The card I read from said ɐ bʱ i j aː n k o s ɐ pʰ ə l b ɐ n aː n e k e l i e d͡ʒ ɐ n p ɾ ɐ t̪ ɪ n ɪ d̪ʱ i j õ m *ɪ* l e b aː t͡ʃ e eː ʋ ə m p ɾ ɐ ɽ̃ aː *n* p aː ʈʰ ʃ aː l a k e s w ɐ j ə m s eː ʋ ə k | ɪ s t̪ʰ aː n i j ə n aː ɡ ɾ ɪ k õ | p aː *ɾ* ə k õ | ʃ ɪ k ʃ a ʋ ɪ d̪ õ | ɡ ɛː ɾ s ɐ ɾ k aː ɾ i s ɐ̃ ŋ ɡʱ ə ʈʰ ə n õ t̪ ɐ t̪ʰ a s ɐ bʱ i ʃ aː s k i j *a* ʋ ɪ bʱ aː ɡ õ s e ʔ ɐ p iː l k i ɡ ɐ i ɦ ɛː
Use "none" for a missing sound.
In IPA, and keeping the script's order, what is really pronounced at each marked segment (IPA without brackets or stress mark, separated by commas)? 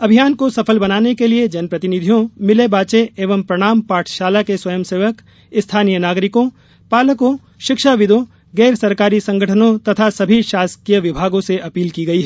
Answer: ɪ, m, l, ə